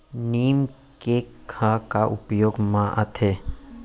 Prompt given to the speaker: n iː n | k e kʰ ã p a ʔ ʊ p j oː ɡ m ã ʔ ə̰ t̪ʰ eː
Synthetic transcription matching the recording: n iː m | k e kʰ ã k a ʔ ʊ p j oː ɡ m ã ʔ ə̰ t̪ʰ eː